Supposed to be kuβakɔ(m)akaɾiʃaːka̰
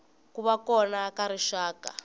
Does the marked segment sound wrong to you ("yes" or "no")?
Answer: yes